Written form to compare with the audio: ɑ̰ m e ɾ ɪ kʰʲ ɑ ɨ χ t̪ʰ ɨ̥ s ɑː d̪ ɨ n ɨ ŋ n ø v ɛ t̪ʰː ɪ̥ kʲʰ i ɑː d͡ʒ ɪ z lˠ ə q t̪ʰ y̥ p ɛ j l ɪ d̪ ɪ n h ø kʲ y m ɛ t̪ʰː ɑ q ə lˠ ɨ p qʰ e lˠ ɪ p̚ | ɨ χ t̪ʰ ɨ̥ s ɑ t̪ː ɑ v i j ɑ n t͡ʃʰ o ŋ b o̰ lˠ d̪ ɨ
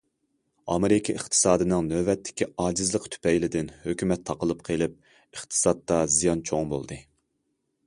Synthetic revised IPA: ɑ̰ m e ɾ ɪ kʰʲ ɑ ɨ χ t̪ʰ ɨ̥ s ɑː d̪ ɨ n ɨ ŋ n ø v ɛ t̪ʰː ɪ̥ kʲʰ i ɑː d͡ʒ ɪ z lˠ ə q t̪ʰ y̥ p ɛ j l ɪ d̪ ɪ n h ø kʲ y m ɛ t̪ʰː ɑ q ə lˠ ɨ p qʰ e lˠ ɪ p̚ | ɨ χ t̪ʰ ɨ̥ s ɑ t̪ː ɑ z i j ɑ n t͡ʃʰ o ŋ b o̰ lˠ d̪ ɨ